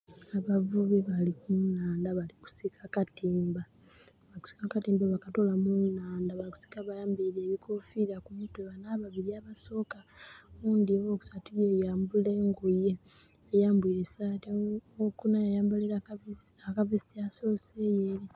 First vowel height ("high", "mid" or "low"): low